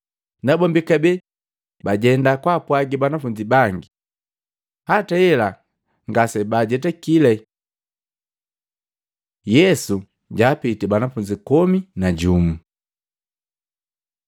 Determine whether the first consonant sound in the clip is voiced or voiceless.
voiced